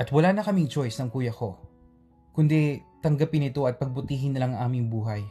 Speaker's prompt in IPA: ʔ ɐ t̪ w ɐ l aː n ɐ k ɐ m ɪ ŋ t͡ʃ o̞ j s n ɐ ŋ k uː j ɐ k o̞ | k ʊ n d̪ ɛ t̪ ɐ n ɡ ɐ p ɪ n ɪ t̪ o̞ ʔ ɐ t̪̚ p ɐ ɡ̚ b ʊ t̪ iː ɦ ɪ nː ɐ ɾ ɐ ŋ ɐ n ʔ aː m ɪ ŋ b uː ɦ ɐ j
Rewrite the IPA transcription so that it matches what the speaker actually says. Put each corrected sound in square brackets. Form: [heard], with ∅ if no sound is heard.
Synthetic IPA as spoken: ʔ ɐ t̪ w ɐ l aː n ɐ k ɐ m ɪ ŋ t͡ʃ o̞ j s n ɐ ŋ k uː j ɐ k o̞ | k ʊ n d̪ ɛ t̪ ɐ [ŋ] ɡ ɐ p ɪ n ɪ t̪ o̞ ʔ ɐ t̪̚ p ɐ ɡ̚ b ʊ t̪ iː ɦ ɪ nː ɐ [l] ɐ ŋ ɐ [ŋ] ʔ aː m ɪ ŋ b uː ɦ ɐ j